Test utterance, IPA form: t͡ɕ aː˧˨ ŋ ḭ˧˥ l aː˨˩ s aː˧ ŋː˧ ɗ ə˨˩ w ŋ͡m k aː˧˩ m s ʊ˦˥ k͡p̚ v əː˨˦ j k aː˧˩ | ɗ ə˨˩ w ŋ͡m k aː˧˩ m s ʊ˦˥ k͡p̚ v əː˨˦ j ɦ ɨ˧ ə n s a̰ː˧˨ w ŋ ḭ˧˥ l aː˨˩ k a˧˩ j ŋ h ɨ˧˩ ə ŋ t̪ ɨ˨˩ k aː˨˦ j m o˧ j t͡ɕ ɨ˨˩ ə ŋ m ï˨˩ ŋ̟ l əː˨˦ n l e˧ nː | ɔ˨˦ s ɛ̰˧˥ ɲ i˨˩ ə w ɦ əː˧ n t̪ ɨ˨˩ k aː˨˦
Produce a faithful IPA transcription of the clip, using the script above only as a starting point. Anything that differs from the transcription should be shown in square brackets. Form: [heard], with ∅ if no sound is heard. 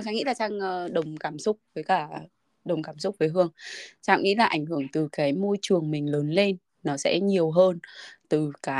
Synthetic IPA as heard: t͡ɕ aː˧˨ ŋ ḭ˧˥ l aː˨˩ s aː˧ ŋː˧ ɗ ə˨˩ w ŋ͡m k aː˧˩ m s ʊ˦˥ k͡p̚ v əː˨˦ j k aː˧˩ | ɗ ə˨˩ w ŋ͡m k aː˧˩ m s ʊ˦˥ k͡p̚ v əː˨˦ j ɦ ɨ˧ ə [ŋ] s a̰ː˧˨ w ŋ ḭ˧˥ l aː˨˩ [ʔ] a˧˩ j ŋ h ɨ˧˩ ə ŋ t̪ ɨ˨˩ k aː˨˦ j m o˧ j t͡ɕ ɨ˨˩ ə ŋ m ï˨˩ ŋ̟ l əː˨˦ n l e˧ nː | ɔ˨˦ s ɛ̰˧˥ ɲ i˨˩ ə w ɦ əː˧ n t̪ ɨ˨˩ k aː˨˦